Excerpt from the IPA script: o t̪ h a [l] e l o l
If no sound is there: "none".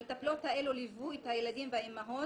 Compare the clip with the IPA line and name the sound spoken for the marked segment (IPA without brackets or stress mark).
none